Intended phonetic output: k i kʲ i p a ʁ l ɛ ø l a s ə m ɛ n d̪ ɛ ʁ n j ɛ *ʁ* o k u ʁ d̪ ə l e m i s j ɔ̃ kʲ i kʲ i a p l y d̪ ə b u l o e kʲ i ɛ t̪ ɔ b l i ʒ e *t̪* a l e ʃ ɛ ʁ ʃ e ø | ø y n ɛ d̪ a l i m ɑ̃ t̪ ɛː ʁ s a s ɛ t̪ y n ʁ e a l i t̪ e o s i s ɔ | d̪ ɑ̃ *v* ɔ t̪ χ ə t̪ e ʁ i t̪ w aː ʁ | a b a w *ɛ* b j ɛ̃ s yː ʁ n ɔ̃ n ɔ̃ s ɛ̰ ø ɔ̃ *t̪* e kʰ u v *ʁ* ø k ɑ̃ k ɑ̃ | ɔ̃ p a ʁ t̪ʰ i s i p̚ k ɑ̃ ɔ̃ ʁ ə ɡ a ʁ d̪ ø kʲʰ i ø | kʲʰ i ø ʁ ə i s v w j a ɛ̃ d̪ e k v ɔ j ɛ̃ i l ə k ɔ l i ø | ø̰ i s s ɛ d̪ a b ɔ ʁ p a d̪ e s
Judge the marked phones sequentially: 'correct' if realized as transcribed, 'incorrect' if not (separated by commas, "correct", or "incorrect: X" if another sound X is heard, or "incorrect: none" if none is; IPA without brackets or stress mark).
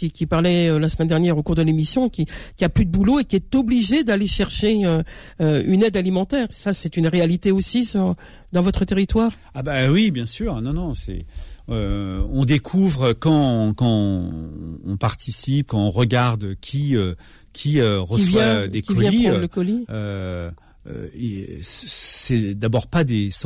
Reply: correct, incorrect: d̪, correct, incorrect: i, incorrect: d̪, correct